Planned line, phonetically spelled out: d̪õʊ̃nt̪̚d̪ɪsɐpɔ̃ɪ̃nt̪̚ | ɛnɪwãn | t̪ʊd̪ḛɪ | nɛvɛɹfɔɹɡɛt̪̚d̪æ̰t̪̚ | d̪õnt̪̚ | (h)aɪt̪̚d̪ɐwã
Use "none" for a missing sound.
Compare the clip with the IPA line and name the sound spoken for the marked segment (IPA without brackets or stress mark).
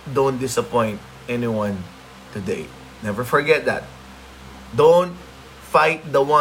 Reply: f